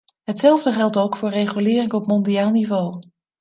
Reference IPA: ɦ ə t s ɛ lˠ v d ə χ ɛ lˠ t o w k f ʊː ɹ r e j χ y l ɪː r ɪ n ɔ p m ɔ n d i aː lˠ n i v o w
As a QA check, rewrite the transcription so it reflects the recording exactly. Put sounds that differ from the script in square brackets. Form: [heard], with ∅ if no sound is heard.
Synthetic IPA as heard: ɦ ə t s ɛ lˠ v d ə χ ɛ lˠ t o w k f ʊː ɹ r e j χ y l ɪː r ɪ [ŋ] ɔ p m ɔ n d i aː lˠ n i v o w